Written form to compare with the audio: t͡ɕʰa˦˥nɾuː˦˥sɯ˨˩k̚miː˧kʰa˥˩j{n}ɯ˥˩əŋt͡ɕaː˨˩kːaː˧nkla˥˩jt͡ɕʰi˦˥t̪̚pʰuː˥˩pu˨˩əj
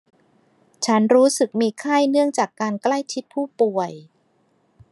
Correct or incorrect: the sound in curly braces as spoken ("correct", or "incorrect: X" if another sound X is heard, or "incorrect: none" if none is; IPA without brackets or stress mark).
correct